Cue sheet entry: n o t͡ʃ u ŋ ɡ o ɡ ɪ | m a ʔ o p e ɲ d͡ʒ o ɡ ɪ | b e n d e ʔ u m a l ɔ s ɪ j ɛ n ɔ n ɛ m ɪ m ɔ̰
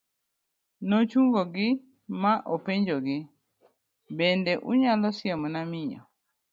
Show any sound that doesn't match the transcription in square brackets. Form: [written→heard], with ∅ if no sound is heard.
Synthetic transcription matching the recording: n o t͡ʃ u ŋ ɡ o ɡ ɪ | m a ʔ o p e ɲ d͡ʒ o ɡ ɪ | b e n d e ʔ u [m→ɲ] a l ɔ s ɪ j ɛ [n→m] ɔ n [ɛ→a] m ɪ [m→ɲ] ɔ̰